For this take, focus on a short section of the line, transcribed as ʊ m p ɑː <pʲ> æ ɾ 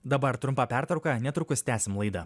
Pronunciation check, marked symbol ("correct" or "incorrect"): correct